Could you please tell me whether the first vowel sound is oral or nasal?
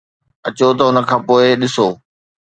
oral